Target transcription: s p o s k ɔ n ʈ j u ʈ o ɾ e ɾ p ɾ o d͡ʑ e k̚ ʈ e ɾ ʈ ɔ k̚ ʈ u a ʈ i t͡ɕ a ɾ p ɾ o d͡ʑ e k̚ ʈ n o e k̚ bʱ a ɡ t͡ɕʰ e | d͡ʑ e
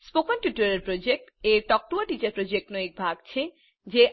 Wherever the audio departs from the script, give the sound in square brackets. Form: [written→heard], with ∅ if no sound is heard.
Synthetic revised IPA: s p o [s→∅] k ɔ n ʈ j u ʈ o ɾ e ɾ p ɾ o d͡ʑ e k̚ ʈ e ɾ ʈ ɔ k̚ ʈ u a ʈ i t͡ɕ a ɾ p ɾ o d͡ʑ e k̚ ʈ n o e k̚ bʱ a ɡ t͡ɕʰ e | d͡ʑ e